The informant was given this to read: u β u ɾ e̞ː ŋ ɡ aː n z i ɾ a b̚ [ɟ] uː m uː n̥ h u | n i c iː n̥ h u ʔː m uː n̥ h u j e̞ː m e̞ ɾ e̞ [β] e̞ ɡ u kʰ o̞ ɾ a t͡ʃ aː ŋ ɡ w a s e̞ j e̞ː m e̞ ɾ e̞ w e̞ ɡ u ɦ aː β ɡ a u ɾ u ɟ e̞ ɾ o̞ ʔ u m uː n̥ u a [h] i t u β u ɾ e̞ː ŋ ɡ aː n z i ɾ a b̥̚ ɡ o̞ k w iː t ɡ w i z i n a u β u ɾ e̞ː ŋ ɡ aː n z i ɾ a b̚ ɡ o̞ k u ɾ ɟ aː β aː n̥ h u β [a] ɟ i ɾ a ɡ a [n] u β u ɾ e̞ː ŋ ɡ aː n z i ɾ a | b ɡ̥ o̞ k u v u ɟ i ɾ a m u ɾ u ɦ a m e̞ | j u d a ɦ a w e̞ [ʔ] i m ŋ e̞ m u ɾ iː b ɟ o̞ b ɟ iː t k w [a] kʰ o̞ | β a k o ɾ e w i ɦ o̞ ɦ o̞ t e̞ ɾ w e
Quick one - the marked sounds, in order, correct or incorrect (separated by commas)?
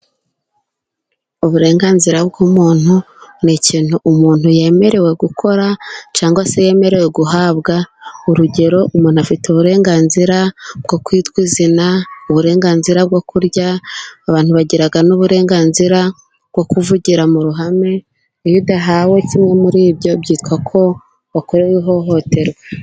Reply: incorrect, incorrect, incorrect, correct, correct, incorrect, correct